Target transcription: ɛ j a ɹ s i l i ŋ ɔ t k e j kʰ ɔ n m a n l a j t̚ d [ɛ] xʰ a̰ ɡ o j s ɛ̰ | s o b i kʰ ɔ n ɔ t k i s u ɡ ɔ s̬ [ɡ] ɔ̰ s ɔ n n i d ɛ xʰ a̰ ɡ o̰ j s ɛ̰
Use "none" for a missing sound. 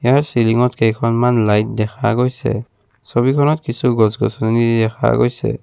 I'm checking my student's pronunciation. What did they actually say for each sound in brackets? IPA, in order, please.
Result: ɛ, ɡ

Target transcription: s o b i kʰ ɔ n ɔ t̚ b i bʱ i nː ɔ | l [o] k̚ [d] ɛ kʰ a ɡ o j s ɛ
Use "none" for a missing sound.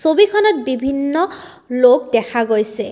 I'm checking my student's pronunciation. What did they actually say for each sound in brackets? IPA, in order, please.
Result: o, d

